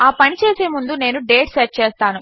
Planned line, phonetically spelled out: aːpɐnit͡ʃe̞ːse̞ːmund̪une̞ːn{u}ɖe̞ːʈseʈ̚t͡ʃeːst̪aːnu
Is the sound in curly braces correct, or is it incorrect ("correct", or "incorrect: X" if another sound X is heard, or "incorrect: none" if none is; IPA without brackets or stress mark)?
correct